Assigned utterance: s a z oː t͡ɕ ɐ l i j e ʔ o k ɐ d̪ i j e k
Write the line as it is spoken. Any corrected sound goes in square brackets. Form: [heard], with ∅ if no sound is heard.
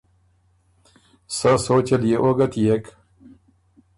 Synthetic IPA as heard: s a [s] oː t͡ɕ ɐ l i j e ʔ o [ɡ] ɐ [t̪] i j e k